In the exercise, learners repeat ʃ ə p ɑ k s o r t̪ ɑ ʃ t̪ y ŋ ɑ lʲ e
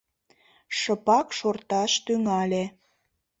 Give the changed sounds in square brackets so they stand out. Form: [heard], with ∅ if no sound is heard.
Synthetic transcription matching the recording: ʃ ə p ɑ k [ʃ] o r t̪ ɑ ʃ t̪ y ŋ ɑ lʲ e